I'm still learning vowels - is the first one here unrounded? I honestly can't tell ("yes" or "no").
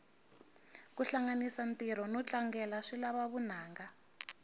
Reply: no